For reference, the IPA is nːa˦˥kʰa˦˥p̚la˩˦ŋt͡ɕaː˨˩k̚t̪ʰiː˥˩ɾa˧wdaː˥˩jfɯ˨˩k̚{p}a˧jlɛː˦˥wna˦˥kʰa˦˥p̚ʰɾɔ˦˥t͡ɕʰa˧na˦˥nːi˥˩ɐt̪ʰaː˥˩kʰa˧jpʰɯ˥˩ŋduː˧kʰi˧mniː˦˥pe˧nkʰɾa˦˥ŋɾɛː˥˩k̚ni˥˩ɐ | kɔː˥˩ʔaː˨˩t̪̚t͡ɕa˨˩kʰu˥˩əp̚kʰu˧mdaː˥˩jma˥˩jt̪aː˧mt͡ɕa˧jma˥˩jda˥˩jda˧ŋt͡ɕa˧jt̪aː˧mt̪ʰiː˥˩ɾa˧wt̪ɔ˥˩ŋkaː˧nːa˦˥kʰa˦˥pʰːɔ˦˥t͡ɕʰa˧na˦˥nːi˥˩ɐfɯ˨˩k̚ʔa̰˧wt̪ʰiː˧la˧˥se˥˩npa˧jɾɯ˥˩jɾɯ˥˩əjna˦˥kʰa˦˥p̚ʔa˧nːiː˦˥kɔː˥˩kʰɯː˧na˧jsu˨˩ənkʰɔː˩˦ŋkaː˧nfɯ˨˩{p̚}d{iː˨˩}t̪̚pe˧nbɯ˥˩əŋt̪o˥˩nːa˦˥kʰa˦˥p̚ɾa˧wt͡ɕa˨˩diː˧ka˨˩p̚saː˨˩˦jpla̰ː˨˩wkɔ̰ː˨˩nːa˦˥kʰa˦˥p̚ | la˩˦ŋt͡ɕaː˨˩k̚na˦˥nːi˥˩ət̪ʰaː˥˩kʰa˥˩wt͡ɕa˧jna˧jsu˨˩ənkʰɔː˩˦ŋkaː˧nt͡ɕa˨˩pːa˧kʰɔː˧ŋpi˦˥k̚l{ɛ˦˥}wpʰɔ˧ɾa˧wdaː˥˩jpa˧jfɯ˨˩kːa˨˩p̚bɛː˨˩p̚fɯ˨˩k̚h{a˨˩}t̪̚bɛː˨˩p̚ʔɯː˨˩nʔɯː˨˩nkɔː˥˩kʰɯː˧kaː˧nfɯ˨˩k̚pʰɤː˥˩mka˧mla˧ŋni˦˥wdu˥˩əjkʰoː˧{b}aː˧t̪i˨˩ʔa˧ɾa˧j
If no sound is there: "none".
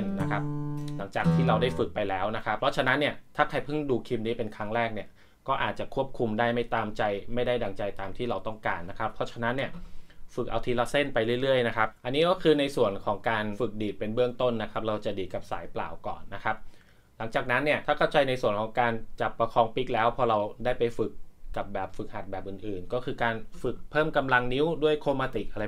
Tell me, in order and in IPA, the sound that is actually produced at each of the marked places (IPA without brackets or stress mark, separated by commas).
p, k̚, iː˨˩, ɛː˦˥, a˨˩, m